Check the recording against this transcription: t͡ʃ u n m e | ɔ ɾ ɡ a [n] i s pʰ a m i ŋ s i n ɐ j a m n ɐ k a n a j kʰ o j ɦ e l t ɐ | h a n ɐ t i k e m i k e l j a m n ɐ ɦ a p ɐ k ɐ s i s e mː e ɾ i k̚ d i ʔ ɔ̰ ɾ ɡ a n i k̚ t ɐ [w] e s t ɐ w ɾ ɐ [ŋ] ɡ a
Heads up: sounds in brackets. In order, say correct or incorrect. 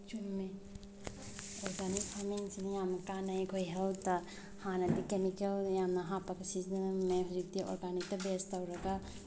correct, incorrect: b, incorrect: none

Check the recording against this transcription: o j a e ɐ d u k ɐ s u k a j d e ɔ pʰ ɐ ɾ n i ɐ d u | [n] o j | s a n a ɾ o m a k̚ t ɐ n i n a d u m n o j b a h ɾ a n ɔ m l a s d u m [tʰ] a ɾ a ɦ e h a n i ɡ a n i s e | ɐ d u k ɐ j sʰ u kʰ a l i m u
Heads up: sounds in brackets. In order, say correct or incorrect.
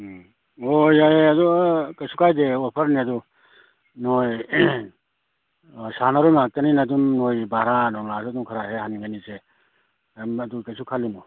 correct, incorrect: kʰ

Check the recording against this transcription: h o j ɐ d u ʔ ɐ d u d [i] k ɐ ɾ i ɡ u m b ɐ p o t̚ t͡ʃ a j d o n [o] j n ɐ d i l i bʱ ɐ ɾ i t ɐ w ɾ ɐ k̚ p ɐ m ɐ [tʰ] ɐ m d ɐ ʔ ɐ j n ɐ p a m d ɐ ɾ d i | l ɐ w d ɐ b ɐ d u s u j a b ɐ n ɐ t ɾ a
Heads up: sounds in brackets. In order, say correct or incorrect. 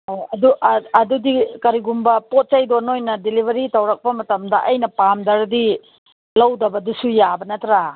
correct, correct, incorrect: t

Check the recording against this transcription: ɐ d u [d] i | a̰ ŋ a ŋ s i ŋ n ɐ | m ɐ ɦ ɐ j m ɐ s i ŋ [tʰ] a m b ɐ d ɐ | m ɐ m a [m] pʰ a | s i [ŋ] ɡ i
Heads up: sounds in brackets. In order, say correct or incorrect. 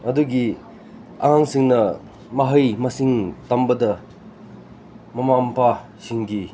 incorrect: ɡ, incorrect: t, correct, correct

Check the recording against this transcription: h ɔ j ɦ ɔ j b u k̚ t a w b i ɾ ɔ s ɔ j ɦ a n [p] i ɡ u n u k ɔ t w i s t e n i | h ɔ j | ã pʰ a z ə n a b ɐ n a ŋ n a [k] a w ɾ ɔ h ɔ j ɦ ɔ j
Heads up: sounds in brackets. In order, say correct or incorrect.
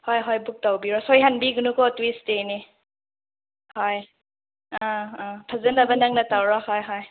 incorrect: b, incorrect: t

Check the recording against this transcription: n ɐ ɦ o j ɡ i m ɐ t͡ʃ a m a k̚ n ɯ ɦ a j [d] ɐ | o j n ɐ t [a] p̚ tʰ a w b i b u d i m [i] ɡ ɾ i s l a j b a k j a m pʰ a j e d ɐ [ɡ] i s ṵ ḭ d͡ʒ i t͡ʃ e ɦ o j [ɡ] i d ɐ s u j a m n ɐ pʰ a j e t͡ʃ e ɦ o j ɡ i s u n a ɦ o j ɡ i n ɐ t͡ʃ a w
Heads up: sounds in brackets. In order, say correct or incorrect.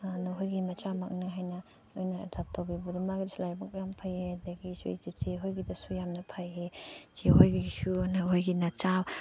incorrect: n, correct, incorrect: a, correct, correct

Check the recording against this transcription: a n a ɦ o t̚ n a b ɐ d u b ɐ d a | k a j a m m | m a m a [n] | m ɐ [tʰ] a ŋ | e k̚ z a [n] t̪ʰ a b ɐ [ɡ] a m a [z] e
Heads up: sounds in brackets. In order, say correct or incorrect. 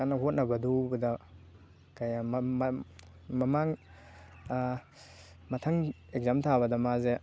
incorrect: ŋ, correct, incorrect: m, incorrect: d, correct

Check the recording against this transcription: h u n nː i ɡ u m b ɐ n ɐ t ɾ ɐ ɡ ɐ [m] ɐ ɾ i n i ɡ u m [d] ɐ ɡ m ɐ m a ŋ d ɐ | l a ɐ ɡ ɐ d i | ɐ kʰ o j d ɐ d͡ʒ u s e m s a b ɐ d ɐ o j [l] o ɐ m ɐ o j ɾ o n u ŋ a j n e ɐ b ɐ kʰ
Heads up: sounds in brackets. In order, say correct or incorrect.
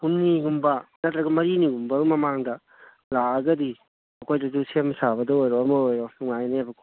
correct, incorrect: b, incorrect: ɾ

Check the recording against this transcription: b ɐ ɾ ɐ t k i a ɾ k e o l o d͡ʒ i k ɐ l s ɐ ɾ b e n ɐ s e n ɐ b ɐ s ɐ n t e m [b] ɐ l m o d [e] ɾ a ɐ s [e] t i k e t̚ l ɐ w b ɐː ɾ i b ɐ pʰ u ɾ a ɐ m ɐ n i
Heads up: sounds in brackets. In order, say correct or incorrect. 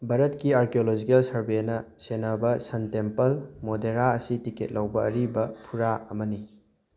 incorrect: p, correct, incorrect: i

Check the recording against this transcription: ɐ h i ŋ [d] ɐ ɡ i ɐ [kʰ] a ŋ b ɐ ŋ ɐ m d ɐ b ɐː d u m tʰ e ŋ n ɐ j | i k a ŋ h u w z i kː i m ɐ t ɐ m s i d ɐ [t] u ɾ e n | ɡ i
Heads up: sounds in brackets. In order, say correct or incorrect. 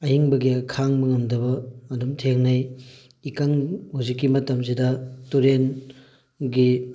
incorrect: b, correct, correct

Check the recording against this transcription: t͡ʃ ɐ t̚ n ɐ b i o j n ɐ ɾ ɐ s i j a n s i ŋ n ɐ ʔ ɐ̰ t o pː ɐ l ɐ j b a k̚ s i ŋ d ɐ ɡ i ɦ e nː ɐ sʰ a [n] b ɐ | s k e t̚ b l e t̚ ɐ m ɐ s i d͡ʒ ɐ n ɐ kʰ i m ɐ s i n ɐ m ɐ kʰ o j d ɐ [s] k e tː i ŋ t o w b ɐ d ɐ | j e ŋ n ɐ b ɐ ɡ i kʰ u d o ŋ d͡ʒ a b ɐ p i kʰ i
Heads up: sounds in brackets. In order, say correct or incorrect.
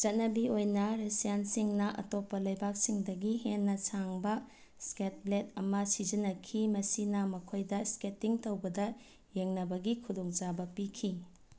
incorrect: ŋ, correct

